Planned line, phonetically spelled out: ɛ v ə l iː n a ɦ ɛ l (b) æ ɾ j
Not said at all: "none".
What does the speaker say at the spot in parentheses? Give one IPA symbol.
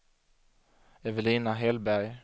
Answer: b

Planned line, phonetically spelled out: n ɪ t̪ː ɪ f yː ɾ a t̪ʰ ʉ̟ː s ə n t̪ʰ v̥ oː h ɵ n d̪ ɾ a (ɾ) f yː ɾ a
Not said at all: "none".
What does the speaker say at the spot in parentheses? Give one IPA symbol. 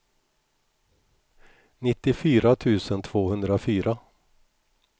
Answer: none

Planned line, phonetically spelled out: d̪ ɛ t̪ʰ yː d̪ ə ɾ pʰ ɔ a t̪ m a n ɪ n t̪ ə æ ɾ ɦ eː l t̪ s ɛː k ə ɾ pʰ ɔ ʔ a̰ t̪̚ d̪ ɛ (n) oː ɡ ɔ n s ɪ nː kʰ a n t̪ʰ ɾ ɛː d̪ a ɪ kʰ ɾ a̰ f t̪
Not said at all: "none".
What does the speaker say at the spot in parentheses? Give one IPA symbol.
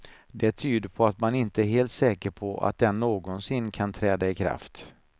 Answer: nː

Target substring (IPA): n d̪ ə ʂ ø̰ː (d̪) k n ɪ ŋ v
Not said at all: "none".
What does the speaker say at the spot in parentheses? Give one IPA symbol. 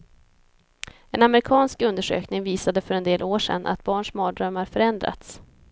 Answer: none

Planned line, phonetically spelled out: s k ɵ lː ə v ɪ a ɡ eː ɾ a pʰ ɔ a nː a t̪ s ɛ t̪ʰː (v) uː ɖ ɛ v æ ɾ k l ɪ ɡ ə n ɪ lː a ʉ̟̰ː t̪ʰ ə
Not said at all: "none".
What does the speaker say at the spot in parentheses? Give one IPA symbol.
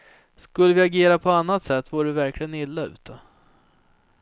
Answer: v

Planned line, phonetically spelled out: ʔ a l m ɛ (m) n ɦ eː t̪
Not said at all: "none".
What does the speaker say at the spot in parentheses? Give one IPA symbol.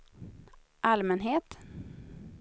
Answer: none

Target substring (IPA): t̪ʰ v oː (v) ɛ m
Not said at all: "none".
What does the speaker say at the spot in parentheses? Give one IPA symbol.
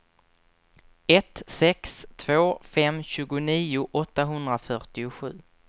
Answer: f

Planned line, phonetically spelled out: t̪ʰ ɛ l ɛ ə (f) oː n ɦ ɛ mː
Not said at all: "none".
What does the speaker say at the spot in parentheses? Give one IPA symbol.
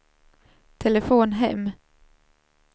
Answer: f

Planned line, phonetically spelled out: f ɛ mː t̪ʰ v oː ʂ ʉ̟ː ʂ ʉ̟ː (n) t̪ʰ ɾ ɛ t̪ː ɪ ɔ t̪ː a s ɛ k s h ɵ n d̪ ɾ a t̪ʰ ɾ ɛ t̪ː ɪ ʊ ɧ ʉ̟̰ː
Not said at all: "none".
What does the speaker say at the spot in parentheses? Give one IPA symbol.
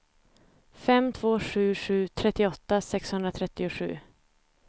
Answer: none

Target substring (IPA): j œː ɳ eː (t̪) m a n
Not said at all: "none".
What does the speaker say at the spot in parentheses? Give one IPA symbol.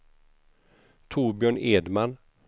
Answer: d̪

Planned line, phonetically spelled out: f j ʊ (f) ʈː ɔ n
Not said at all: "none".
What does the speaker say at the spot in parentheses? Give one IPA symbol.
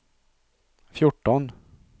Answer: none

